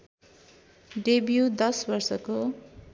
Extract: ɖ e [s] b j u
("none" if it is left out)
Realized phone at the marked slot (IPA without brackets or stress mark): none